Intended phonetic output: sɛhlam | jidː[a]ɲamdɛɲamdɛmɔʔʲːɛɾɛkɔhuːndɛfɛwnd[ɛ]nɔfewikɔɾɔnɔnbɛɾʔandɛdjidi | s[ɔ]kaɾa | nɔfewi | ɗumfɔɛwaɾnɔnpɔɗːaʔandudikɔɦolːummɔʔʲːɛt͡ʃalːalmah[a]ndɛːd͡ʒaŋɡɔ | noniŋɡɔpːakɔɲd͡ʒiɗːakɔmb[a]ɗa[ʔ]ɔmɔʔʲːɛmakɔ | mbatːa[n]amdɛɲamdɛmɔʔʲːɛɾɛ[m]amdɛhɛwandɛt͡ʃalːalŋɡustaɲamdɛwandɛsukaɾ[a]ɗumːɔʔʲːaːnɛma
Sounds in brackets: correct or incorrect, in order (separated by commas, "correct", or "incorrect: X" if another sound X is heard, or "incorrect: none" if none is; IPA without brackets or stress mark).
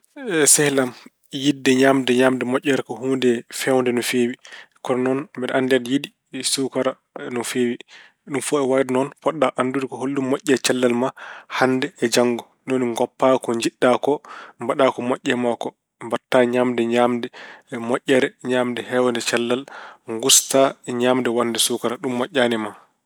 incorrect: ɛ, correct, incorrect: u, correct, correct, incorrect: k, incorrect: ɲ, incorrect: ɲ, correct